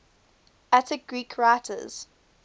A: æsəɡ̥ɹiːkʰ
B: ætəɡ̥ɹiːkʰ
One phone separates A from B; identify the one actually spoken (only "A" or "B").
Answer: B